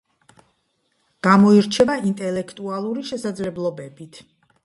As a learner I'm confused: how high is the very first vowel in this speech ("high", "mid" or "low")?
low